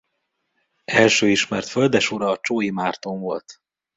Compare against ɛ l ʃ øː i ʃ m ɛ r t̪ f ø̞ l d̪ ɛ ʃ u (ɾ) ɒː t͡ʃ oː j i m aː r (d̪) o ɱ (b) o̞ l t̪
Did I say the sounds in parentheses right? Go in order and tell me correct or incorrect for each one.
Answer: correct, incorrect: t̪, incorrect: v

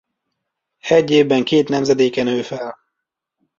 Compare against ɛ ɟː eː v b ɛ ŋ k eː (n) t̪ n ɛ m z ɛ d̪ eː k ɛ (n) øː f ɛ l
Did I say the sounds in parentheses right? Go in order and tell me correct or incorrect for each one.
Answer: incorrect: none, correct

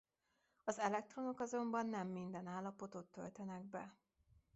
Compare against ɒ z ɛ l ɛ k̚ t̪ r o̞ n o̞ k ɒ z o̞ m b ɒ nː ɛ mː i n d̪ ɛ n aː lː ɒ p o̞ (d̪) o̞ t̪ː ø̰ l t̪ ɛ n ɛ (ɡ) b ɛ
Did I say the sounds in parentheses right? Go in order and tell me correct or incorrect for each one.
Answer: incorrect: t̪, correct

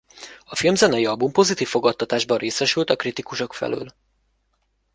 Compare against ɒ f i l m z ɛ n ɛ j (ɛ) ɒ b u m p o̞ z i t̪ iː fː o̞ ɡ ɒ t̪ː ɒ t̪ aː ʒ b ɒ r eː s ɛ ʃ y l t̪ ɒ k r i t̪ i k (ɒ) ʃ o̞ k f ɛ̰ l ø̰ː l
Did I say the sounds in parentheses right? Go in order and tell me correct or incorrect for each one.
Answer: incorrect: i, incorrect: u

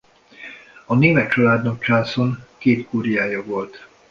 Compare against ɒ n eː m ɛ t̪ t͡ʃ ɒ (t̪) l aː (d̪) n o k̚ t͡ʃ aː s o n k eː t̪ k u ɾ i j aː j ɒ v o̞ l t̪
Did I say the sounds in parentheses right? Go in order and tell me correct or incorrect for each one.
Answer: incorrect: none, correct

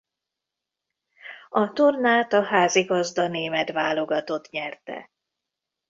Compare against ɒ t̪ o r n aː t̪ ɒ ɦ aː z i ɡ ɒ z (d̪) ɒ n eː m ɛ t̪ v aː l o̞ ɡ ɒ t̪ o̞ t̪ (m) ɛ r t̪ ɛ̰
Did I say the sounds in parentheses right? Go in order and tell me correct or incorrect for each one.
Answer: correct, incorrect: ɲ

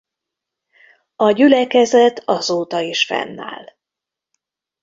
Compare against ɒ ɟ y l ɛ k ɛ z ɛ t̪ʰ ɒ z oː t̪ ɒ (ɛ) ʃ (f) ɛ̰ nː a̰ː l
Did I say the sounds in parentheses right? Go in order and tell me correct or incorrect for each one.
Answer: incorrect: i, correct

